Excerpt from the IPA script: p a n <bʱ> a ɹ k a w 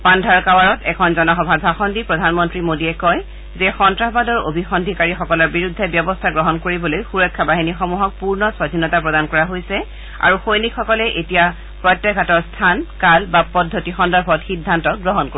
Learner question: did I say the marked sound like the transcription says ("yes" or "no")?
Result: no